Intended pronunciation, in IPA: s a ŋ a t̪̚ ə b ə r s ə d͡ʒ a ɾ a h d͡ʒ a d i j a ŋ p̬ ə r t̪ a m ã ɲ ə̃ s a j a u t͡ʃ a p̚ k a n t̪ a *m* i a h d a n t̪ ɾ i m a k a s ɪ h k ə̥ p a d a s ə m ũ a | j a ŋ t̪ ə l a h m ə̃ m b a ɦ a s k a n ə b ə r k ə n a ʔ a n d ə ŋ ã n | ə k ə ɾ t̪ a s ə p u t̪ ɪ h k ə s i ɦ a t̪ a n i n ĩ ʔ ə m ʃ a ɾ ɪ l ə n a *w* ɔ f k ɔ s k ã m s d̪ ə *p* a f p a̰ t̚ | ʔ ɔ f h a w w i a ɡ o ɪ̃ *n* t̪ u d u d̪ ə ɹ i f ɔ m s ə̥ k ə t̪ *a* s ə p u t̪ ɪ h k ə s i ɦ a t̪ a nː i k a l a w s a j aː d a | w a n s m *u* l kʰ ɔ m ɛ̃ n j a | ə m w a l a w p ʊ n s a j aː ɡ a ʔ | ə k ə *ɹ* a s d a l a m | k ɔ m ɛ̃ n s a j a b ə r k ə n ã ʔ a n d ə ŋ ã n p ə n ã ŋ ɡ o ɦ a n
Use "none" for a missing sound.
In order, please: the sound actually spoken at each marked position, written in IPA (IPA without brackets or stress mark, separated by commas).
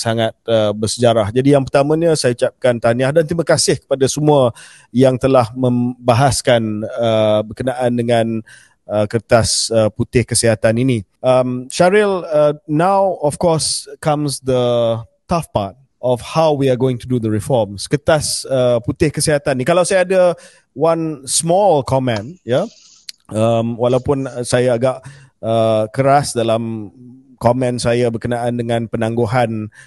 n, w, t, ŋ, a, ɔ, ɾ